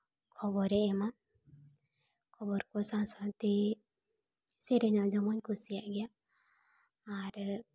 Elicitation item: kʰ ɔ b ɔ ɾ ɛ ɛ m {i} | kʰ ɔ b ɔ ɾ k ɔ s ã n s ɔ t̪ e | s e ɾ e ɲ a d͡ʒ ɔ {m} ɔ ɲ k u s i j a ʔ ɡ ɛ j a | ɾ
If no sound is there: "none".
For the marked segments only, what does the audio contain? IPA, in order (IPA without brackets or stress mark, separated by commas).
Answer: a, m